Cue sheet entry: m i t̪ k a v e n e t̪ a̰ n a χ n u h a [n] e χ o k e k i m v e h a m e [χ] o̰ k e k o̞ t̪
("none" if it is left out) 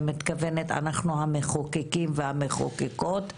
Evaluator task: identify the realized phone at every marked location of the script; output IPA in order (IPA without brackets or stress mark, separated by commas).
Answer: m, χ